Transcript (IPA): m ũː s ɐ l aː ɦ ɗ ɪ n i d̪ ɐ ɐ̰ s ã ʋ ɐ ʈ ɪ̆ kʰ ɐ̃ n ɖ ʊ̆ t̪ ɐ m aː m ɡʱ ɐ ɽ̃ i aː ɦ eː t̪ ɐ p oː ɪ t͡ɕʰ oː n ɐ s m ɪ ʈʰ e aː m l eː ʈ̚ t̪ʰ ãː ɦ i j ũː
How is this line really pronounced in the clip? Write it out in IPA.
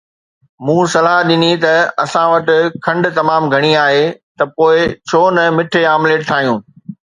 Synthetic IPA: m ũː s ɐ l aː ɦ ɗ ɪ n i t̪ ɐ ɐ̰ s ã ʋ ɐ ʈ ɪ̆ kʰ ɐ̃ ɳ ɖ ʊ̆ t̪ ɐ m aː m ɡʱ ɐ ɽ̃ i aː ɦ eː t̪ ɐ p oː ɪ t͡ɕʰ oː n ɐ m ɪ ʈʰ e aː m l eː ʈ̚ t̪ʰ aː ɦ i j ũː